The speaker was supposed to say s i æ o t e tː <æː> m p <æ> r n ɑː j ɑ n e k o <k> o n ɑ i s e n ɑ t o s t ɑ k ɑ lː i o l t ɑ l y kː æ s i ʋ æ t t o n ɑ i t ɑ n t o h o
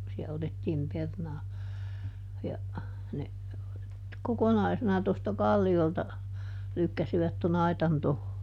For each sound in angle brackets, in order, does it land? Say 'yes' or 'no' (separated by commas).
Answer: no, no, yes